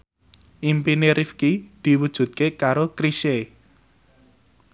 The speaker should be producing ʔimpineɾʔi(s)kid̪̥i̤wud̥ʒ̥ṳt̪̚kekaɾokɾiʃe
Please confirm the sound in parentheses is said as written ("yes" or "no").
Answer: no